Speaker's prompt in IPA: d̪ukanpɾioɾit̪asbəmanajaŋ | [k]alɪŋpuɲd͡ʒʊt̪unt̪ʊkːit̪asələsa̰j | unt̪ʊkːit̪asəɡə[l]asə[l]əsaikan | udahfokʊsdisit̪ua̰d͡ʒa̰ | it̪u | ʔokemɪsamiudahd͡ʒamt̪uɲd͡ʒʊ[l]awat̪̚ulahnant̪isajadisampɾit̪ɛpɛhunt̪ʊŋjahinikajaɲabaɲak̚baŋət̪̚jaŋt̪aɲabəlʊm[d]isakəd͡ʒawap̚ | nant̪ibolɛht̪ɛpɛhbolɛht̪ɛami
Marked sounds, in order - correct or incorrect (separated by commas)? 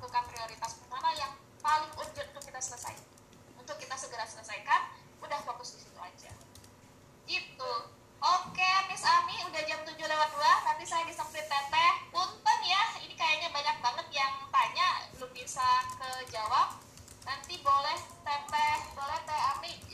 incorrect, incorrect, correct, correct, incorrect